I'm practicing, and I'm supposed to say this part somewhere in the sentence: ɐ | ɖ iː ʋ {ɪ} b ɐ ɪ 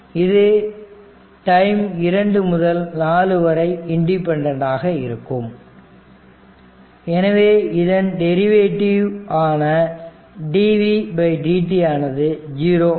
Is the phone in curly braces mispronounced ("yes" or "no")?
yes